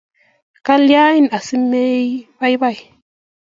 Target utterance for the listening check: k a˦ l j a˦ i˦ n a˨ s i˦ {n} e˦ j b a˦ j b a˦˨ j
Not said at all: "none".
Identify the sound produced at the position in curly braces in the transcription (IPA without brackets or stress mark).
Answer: m